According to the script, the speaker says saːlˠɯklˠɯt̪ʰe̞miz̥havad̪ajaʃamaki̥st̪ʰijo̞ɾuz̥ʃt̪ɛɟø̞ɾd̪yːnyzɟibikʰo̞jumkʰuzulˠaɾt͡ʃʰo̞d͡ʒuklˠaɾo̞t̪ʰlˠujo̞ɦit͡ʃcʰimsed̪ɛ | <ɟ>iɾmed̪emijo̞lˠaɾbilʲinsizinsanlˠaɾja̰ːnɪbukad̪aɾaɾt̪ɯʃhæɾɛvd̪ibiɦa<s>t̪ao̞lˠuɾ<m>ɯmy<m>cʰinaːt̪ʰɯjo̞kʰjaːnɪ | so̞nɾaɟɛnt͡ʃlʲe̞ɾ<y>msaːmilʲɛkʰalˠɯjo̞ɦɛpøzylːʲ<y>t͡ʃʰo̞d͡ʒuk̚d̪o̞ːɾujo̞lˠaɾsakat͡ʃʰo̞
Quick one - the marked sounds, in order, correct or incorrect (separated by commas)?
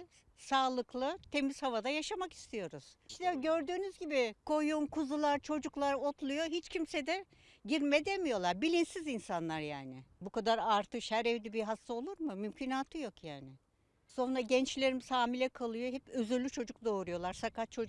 correct, correct, correct, correct, incorrect, correct